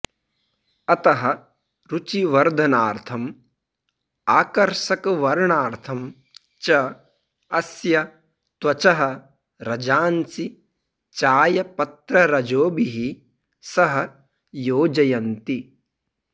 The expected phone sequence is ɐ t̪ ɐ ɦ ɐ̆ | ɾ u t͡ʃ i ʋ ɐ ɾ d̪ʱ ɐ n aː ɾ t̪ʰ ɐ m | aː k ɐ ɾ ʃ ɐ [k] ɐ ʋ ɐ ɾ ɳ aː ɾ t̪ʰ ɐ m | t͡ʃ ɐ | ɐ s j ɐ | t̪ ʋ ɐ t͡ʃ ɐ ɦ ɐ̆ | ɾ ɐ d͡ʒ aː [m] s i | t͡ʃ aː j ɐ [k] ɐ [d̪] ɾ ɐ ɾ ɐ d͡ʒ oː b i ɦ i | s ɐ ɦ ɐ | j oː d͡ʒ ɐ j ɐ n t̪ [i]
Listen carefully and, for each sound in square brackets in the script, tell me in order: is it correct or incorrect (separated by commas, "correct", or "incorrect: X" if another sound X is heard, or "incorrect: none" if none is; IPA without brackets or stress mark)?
correct, incorrect: n, incorrect: p, incorrect: t̪, correct